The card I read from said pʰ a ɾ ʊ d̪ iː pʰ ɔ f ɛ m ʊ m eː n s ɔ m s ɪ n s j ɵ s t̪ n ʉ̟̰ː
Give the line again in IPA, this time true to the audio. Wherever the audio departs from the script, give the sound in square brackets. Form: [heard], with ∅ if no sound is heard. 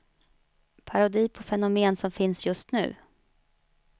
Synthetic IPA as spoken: pʰ a ɾ ʊ d̪ iː pʰ ɔ f ɛ [n] ʊ m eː n s ɔ m [f] ɪ n s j ɵ s t̪ n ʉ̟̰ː